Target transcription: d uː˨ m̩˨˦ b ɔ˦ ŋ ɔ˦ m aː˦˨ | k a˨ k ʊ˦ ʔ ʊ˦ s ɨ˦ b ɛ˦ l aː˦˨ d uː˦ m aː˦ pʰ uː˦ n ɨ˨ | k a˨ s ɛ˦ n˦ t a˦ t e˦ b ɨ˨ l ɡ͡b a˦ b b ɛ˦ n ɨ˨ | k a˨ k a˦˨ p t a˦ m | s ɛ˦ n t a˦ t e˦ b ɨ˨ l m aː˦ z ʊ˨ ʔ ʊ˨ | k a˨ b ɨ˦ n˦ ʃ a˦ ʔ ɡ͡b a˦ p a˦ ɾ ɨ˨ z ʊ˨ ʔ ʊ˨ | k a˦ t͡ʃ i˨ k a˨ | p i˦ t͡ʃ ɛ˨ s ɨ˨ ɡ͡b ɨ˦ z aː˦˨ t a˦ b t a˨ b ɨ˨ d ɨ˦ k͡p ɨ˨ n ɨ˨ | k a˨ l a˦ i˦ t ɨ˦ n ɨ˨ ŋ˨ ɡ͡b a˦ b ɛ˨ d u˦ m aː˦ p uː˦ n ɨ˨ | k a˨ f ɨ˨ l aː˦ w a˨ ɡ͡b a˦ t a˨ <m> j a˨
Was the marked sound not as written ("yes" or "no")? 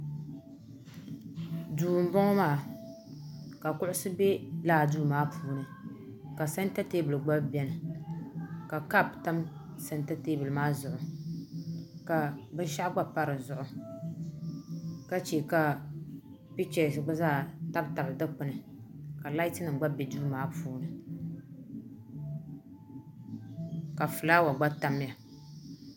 no